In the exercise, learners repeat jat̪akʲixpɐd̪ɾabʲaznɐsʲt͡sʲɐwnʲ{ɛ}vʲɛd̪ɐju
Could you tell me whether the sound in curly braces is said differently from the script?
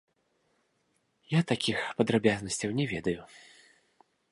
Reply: no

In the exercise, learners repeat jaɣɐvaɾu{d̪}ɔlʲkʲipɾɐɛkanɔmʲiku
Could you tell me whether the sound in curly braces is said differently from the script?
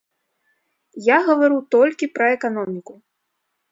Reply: yes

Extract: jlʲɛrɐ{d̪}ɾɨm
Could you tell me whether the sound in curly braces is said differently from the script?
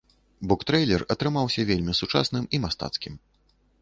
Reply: yes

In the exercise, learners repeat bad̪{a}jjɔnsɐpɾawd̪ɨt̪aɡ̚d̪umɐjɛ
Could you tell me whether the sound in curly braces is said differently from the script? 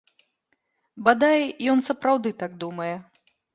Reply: no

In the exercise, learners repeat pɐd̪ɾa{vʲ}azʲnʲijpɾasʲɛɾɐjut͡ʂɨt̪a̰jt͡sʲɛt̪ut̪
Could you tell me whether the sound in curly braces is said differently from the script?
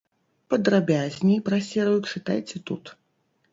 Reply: yes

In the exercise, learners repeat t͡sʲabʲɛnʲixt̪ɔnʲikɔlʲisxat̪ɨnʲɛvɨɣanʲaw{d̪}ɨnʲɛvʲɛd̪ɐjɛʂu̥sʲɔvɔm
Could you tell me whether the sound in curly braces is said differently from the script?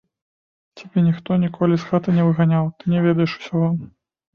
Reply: yes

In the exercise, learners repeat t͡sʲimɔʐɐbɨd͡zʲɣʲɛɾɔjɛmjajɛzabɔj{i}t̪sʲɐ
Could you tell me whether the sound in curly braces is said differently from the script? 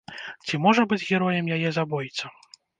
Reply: no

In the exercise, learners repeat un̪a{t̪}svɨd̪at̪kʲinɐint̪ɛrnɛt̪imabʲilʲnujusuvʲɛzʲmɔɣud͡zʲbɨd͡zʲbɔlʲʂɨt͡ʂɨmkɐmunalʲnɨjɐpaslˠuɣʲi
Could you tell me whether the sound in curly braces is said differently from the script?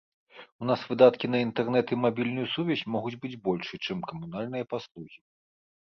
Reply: yes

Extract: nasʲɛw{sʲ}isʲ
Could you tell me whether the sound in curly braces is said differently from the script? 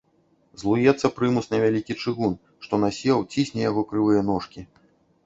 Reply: yes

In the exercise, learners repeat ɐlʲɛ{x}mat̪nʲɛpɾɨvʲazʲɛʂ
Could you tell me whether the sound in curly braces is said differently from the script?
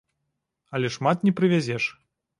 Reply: yes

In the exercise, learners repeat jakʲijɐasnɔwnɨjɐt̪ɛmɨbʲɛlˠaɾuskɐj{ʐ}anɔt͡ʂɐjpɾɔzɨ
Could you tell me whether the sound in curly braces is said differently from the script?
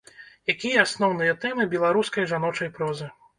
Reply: no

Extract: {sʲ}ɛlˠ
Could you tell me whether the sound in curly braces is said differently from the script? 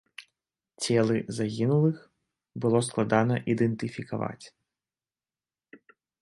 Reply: yes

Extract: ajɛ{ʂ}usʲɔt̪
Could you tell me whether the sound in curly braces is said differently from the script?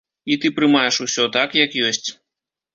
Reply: no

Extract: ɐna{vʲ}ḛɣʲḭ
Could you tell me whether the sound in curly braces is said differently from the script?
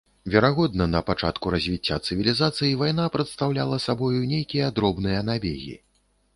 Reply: yes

